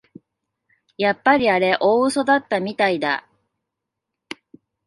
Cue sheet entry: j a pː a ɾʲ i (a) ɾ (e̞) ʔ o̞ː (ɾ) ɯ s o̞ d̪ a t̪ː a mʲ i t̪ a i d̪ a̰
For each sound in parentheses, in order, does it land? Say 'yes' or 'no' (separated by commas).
yes, yes, no